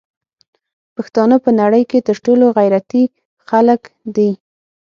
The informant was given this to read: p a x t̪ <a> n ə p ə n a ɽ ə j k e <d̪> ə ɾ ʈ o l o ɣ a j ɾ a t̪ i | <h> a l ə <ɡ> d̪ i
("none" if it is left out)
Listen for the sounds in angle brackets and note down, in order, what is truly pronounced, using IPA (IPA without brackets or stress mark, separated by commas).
ɑ, t̪, x, k